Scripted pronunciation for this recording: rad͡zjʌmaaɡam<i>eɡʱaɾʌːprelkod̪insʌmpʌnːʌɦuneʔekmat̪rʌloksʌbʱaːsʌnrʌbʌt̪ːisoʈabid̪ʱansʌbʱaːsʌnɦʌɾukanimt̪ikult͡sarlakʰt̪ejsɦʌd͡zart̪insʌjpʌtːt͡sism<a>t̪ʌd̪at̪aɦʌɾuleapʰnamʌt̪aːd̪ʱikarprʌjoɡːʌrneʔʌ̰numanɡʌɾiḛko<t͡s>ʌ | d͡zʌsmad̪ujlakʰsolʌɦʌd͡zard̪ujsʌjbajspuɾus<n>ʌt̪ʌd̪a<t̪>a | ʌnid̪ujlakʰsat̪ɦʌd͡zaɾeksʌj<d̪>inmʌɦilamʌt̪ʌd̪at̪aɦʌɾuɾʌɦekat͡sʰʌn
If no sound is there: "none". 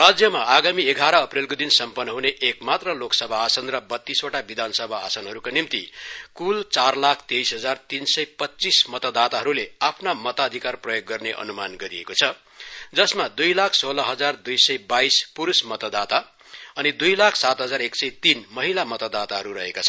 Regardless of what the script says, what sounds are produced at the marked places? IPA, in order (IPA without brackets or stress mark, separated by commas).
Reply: i, ʌ, t͡sʰ, m, t̪, t̪